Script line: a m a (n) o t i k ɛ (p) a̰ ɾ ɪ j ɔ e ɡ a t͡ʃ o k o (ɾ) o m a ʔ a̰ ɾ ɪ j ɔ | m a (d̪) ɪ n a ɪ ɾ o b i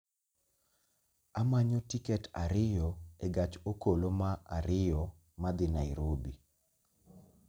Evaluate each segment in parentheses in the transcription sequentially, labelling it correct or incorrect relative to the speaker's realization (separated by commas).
incorrect, incorrect, incorrect, correct